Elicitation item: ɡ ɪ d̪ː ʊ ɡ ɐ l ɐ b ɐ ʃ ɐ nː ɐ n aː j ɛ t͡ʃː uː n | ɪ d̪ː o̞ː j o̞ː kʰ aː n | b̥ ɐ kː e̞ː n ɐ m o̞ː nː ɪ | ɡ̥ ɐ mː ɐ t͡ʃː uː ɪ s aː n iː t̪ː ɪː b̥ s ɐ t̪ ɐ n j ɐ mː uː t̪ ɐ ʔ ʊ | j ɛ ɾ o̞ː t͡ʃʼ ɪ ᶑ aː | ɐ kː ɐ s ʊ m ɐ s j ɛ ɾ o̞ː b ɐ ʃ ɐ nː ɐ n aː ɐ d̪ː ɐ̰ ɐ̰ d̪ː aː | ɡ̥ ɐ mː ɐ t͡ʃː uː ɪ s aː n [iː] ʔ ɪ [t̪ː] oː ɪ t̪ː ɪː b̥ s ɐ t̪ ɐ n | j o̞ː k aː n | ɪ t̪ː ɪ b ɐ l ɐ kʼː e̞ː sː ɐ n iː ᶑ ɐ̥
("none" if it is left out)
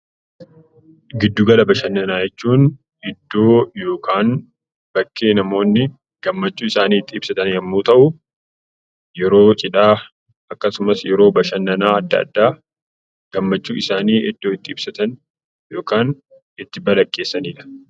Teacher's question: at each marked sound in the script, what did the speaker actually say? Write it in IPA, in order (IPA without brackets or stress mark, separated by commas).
iː, d̪ː